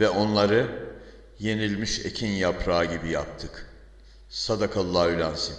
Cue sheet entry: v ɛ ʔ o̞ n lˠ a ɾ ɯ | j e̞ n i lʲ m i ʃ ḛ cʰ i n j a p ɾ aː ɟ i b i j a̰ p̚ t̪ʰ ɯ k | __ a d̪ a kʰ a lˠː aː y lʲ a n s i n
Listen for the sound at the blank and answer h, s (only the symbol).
s